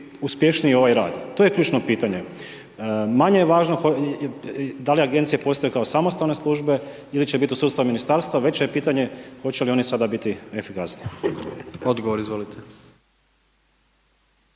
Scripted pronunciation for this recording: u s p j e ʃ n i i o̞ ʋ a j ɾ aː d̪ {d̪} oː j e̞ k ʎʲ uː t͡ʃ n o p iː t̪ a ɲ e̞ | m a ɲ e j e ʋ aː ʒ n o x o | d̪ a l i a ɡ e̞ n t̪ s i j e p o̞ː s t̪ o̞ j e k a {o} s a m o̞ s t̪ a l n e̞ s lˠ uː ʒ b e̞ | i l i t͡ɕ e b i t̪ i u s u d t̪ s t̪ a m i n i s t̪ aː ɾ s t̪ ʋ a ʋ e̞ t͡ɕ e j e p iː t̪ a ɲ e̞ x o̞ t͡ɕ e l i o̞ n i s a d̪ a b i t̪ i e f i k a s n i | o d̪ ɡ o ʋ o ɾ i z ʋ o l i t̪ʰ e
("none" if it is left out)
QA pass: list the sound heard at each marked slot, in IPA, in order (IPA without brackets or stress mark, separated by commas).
t̪, o